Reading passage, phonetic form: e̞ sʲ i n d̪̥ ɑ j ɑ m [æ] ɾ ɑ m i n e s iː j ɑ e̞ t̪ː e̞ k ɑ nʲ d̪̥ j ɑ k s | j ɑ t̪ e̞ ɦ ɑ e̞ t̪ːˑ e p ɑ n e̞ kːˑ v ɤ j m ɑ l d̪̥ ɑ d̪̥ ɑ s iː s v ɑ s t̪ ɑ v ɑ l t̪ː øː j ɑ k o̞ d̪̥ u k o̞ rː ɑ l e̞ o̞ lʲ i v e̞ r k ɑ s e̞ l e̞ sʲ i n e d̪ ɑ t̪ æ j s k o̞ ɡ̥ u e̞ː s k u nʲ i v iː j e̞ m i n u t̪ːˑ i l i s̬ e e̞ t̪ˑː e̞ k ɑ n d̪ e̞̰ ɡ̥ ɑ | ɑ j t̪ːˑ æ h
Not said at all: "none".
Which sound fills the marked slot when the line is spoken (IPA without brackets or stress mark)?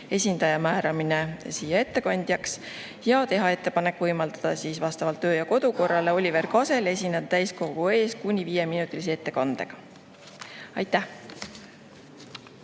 æː